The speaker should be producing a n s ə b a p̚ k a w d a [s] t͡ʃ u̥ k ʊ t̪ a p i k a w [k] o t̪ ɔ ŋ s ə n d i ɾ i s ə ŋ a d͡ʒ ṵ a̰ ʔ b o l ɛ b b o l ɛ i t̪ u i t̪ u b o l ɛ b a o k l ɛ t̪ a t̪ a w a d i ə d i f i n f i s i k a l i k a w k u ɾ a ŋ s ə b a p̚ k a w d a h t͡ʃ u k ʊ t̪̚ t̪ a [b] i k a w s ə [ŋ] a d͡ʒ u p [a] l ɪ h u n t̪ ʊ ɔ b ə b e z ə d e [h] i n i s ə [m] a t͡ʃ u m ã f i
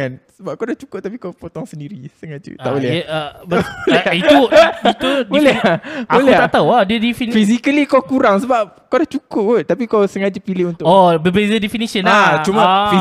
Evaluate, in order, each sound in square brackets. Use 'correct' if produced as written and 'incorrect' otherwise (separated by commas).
incorrect, incorrect, incorrect, correct, incorrect, incorrect, incorrect